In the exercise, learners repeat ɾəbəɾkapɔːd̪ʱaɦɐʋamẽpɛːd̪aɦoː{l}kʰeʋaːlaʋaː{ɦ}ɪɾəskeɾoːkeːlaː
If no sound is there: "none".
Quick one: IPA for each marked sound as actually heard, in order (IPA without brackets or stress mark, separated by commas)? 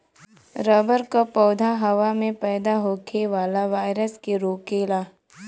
none, none